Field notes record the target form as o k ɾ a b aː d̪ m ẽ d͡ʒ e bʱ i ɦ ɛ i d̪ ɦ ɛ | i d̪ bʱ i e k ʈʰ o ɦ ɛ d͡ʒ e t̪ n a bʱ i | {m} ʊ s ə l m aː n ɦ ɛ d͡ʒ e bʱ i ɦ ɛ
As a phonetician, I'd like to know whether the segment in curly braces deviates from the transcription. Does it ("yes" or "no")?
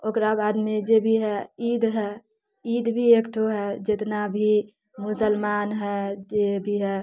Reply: no